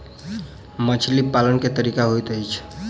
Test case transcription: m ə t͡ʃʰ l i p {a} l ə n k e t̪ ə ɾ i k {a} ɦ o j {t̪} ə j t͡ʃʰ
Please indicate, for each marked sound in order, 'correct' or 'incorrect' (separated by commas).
correct, correct, correct